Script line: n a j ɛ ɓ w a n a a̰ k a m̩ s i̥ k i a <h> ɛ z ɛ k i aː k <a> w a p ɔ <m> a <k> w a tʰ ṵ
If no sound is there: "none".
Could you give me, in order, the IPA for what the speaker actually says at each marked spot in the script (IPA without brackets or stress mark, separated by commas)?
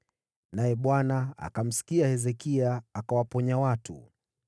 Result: h, a, ɲ, none